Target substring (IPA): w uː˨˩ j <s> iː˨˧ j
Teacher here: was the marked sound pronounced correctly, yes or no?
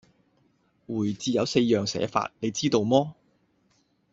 no